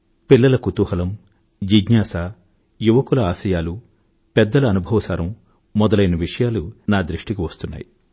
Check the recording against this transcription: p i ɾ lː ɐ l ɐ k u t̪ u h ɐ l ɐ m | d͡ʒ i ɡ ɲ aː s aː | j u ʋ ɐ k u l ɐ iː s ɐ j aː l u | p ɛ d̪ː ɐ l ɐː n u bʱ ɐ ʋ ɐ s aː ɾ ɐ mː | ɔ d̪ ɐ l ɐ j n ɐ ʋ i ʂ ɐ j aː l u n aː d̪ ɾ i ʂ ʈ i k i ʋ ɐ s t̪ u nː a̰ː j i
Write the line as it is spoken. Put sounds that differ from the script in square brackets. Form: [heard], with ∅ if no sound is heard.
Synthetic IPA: p i [∅] lː ɐ l ɐ k u t̪ u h ɐ l ɐ m | d͡ʒ i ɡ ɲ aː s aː | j u ʋ ɐ k u l ɐ [aː] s ɐ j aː l u | p ɛ d̪ː ɐ l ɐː n u bʱ ɐ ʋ ɐ s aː ɾ ɐ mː | ɔ d̪ ɐ l ɐ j n ɐ ʋ i ʂ ɐ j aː l u n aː d̪ ɾ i ʂ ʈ i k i ʋ ɐ s t̪ u nː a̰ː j i